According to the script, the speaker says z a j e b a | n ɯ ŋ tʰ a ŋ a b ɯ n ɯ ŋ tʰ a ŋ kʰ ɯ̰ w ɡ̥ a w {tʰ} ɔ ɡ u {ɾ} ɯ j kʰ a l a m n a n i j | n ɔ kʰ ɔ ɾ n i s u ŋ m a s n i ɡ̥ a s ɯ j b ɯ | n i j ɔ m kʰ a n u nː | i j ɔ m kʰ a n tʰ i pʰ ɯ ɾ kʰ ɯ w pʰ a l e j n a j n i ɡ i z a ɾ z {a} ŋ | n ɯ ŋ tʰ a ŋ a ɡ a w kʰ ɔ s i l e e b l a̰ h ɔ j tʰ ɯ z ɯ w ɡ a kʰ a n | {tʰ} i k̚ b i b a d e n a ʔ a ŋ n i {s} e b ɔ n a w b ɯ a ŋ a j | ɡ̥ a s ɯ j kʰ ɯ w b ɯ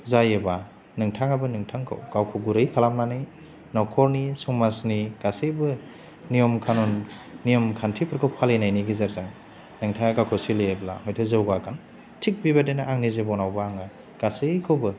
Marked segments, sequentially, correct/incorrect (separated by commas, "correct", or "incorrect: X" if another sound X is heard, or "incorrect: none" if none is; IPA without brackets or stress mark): incorrect: kʰ, correct, correct, correct, incorrect: z